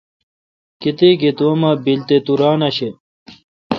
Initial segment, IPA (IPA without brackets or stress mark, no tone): k